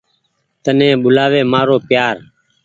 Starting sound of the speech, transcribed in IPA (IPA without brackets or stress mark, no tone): t̪